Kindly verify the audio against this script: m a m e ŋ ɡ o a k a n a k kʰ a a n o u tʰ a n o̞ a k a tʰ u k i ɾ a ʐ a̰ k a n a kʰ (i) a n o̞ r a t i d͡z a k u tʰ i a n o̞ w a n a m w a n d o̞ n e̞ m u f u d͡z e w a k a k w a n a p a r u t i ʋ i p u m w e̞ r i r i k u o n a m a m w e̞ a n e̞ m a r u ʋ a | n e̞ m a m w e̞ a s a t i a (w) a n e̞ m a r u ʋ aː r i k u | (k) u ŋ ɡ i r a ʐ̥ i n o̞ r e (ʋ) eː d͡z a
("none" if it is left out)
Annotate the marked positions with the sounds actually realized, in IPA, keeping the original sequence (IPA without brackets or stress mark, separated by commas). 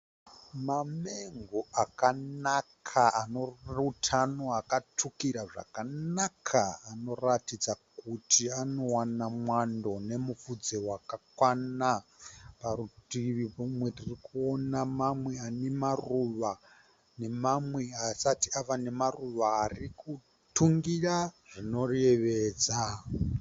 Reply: a, ʋ, t, ʋ